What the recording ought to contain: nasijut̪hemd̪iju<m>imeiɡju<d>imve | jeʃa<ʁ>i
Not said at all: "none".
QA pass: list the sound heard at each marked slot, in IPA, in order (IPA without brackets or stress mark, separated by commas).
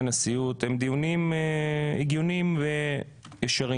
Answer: n, n, ʁ